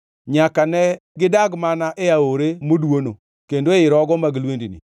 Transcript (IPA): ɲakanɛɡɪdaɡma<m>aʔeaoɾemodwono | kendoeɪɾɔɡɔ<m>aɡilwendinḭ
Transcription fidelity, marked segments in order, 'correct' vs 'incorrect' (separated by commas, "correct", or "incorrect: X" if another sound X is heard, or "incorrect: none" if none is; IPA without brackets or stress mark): incorrect: n, correct